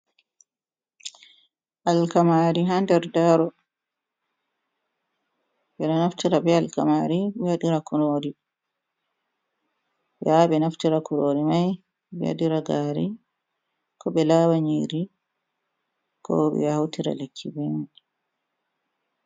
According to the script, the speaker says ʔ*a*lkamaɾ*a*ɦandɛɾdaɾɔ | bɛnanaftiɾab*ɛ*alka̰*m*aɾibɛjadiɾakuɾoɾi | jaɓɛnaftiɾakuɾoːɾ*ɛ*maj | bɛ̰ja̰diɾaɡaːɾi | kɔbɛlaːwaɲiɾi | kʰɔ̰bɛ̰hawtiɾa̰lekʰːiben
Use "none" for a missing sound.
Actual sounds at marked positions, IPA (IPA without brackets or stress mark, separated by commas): a, i, ɛ, m, i